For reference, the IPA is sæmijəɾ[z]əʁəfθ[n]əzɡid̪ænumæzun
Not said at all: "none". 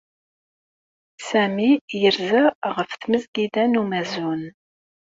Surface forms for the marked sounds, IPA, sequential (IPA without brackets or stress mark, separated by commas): z, m